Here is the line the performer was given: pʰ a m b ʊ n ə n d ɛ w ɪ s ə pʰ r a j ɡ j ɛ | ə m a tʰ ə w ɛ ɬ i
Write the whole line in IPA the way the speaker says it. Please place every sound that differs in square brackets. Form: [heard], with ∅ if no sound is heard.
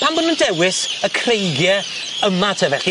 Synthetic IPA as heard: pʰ a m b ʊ n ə n d ɛ w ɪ s ə [kʰ] r [e] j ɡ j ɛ | ə m a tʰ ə [v] ɛ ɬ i